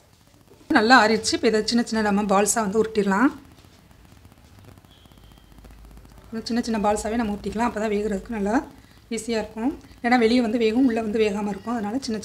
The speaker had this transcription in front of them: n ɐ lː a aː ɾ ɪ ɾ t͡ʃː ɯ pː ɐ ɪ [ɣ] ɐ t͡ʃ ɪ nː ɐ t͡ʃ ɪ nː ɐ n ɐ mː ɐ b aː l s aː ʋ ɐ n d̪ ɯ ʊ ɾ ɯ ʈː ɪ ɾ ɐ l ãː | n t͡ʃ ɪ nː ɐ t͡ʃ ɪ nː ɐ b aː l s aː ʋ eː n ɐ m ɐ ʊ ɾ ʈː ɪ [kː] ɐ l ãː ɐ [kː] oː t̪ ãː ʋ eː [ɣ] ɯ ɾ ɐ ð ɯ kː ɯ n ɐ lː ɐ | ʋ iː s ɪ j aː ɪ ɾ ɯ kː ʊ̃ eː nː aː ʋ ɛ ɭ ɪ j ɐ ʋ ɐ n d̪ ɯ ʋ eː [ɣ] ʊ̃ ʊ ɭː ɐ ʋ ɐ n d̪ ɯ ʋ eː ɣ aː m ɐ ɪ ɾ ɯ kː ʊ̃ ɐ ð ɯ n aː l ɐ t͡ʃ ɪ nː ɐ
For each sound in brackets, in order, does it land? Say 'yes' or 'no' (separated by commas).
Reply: no, yes, no, yes, yes